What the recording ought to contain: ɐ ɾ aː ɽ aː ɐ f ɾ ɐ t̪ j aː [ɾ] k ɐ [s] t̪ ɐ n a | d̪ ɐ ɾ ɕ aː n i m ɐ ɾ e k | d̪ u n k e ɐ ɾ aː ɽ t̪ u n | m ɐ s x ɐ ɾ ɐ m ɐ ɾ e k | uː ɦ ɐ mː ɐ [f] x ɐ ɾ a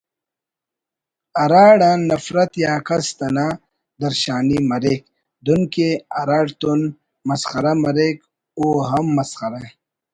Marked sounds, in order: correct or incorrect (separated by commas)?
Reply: incorrect, correct, incorrect